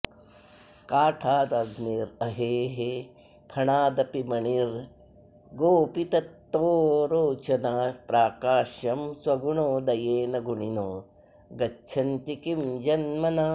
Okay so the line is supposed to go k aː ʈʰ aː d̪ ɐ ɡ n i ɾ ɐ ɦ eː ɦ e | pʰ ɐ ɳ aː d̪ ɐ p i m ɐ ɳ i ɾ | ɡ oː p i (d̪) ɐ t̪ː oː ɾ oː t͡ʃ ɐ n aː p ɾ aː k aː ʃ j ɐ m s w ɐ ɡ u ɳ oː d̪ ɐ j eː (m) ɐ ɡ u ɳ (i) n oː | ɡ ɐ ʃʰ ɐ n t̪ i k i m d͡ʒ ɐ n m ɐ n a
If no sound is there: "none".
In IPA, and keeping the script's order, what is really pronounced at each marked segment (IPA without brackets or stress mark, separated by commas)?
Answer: t̪, n, i